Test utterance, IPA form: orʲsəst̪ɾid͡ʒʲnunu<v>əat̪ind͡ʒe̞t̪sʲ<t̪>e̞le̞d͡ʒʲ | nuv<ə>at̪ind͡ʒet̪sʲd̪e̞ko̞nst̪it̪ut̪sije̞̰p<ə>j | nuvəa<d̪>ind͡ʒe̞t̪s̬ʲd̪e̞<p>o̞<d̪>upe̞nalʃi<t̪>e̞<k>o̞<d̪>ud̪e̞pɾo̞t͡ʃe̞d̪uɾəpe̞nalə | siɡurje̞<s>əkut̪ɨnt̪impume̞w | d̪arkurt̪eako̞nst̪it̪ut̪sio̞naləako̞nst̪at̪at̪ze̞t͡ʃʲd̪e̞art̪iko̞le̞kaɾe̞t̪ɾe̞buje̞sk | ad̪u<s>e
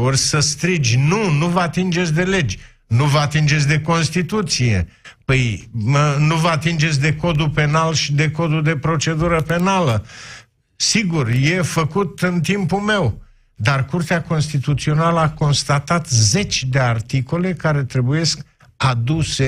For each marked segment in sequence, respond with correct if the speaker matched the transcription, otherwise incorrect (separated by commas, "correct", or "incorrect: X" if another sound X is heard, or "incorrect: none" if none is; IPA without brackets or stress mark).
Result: correct, incorrect: d̪, correct, correct, incorrect: t̪, incorrect: k, correct, incorrect: d̪, correct, correct, incorrect: f, correct